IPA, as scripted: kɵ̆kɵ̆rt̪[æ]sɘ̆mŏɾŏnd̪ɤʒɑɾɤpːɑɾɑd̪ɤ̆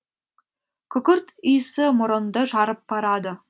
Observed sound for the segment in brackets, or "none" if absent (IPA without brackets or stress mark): i